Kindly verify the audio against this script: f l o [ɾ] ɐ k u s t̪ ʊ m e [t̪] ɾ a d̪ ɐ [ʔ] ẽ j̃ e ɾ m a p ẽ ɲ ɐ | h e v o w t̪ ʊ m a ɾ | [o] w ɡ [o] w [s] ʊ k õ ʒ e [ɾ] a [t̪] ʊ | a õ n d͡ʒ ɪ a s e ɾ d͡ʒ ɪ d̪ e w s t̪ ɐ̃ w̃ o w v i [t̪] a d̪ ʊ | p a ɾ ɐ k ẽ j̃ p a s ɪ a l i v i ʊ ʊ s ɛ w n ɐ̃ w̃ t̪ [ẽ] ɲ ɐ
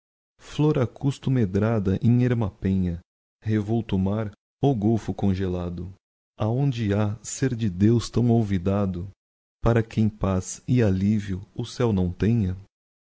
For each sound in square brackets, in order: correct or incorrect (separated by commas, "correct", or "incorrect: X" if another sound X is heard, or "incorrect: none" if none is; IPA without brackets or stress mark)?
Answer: correct, incorrect: d̪, correct, correct, correct, incorrect: f, incorrect: l, incorrect: d̪, incorrect: d̪, correct